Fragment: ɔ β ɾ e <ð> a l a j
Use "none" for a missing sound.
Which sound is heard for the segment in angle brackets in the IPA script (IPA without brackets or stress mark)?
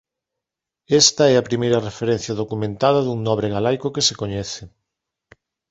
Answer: ɣ